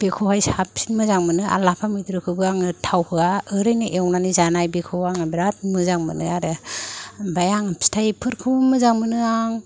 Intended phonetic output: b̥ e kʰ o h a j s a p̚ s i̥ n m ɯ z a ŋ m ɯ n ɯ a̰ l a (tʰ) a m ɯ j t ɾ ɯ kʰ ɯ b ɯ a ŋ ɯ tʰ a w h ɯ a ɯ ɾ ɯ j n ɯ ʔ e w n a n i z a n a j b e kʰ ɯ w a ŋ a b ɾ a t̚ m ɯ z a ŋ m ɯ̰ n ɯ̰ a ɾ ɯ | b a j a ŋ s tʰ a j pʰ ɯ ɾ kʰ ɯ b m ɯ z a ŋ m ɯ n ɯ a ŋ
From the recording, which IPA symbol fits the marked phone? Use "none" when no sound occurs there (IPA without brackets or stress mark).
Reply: pʰ